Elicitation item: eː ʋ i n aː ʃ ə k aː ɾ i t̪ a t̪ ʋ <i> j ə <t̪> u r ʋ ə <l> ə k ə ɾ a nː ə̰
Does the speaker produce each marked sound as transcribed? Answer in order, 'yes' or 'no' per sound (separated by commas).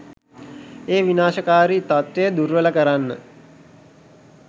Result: no, no, yes